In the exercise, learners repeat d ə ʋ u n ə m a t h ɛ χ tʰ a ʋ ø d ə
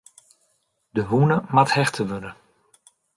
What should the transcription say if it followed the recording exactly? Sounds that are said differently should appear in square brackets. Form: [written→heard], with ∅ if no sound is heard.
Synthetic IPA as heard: d ə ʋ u n ə m a t h ɛ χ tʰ [a→ə] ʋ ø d ə